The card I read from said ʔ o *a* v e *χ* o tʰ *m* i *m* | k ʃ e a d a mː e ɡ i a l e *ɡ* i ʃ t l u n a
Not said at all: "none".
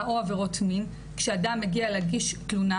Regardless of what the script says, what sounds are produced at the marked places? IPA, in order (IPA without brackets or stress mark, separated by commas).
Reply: a, ʁ, m, n, ɡ